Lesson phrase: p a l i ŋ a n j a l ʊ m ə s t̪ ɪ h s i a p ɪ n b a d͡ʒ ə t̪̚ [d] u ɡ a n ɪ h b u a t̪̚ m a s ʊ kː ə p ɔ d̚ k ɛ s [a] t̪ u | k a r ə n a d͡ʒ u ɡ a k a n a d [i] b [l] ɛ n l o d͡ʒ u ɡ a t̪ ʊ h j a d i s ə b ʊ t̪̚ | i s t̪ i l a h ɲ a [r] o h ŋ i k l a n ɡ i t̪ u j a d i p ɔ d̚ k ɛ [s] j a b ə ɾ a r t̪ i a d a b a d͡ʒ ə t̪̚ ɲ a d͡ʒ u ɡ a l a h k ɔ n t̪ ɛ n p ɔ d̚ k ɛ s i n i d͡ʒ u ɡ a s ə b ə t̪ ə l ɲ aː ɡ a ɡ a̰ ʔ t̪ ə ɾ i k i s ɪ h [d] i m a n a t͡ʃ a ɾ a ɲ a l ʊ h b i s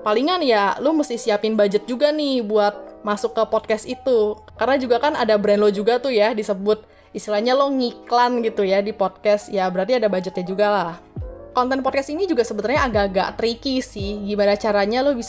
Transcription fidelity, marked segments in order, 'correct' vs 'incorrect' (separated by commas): incorrect, incorrect, incorrect, incorrect, incorrect, correct, incorrect